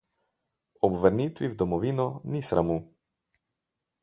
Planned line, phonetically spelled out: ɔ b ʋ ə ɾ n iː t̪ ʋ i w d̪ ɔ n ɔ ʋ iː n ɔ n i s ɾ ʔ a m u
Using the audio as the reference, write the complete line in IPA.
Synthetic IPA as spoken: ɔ b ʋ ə ɾ n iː t̪ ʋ i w d̪ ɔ m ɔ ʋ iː n ɔ n i s ɾ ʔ a m u

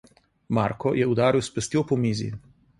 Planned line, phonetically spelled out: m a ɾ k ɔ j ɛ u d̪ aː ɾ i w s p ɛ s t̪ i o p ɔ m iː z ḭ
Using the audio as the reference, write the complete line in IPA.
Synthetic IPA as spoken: m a ɾ k ɔ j ɛ u d̪ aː ɾ i w s p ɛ s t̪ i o p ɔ m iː z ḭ

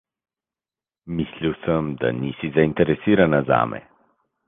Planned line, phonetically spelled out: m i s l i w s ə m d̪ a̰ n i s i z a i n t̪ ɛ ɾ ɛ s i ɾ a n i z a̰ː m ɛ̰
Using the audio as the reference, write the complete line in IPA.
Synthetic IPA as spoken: m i s l i w s ə m d̪ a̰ n i s i z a i n t̪ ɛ ɾ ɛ s i ɾ a n a z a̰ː m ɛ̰

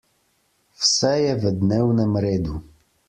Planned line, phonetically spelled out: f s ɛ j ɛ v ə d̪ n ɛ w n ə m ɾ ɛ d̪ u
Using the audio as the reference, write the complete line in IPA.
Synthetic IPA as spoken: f s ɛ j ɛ v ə d̪ n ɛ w n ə m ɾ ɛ d̪ u

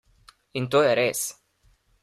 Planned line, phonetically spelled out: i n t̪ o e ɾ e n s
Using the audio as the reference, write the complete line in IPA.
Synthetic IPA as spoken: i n t̪ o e ɾ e s

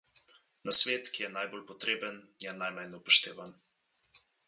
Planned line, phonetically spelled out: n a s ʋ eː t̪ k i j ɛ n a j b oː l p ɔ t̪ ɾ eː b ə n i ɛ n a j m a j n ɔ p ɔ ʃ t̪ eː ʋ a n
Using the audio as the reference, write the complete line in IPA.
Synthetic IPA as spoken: n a s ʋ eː t̪ k i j ɛ n a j b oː l p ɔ t̪ ɾ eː b ə n j ɛ n a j m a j n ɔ p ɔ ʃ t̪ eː ʋ a n

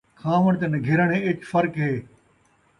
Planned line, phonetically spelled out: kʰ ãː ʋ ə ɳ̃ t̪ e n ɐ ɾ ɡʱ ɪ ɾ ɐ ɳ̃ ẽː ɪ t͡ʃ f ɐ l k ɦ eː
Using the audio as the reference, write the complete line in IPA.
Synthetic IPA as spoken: kʰ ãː ʋ ə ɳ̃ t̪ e n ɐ ɡʱ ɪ ɾ ə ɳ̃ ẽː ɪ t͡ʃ f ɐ ɾ k ɦ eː

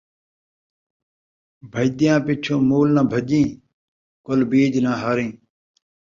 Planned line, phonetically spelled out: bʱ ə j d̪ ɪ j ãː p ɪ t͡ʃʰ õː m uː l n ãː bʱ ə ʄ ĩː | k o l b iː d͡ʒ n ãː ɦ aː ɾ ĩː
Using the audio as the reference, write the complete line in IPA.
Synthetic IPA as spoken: bʱ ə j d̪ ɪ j ãː p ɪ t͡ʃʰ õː m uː l n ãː bʱ ə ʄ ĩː | k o l b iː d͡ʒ n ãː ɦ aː ɾ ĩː

